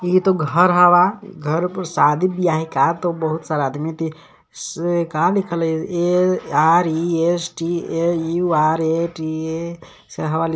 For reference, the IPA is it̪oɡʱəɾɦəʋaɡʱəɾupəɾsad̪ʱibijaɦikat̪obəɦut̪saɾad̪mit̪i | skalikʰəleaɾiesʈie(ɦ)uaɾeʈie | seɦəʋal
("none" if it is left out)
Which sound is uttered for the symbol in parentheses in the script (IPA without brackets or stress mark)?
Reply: none